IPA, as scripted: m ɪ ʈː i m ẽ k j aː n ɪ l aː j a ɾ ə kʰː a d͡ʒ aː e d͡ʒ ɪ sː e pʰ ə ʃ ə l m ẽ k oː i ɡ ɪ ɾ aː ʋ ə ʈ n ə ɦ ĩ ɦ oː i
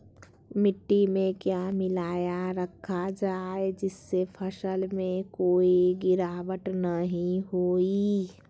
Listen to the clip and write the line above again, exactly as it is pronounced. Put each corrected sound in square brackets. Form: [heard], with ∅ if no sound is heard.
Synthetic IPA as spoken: m ɪ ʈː i m ẽ k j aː [m] ɪ l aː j a ɾ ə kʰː a d͡ʒ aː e d͡ʒ ɪ sː e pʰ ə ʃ ə l m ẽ k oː i ɡ ɪ ɾ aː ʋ ə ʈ n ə ɦ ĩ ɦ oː i